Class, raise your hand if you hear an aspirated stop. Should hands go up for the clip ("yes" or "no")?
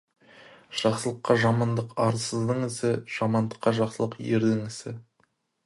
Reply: no